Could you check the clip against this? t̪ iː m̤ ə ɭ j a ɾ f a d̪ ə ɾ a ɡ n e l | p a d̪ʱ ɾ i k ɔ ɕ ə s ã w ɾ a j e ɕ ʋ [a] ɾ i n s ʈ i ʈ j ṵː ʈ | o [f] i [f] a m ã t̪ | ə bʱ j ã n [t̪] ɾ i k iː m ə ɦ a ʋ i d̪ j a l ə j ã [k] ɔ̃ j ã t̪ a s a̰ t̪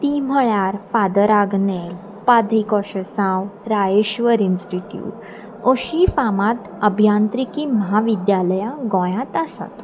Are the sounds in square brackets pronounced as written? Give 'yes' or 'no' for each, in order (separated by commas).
no, no, yes, yes, no